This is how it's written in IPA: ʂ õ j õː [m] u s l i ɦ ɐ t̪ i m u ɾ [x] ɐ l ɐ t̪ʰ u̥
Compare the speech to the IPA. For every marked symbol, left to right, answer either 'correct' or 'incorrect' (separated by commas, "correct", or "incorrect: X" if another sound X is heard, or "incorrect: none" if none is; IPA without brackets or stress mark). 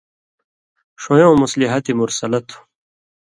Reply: correct, incorrect: s